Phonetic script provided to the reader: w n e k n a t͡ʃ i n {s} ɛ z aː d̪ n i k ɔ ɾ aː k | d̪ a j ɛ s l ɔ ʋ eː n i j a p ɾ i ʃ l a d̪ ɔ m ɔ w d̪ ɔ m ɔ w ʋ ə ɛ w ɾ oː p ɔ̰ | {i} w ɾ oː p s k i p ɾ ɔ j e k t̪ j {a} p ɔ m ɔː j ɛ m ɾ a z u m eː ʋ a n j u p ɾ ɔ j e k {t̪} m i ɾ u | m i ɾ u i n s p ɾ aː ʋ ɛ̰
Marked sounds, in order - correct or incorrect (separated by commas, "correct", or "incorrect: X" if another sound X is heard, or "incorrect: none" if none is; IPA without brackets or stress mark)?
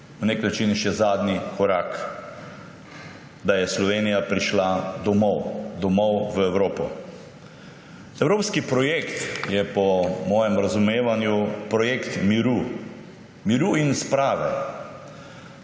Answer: incorrect: ʃ, incorrect: ɛ, incorrect: ɛ, correct